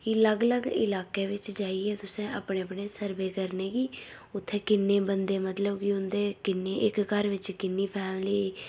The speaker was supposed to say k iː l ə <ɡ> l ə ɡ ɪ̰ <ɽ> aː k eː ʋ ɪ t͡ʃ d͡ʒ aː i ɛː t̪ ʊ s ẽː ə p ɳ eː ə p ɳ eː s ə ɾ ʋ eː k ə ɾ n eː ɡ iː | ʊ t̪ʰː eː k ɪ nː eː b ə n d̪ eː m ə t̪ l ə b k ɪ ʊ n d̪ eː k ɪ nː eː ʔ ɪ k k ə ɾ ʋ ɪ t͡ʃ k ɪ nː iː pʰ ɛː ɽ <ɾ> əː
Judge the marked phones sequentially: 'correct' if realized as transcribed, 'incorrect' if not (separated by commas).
correct, incorrect, incorrect